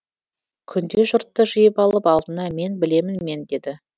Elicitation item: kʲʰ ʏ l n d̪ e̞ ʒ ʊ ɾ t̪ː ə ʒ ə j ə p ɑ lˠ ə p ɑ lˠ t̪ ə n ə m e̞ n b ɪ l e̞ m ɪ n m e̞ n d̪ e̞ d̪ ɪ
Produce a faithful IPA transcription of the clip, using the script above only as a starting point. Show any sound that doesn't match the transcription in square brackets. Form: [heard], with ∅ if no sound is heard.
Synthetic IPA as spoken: kʲʰ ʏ [∅] n d̪ e̞ ʒ ʊ ɾ t̪ː ə ʒ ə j ə p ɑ lˠ ə p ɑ lˠ [d̪] ə n [ɑ] m e̞ n b ɪ l e̞ m ɪ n m e̞ n d̪ e̞ d̪ ɪ